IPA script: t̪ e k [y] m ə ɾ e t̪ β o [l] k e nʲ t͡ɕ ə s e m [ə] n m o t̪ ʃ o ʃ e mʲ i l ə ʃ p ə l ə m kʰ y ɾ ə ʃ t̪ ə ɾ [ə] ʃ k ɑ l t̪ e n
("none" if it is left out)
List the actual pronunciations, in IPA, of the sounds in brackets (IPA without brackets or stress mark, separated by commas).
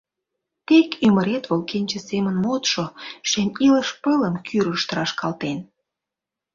y, l, ə, ɑ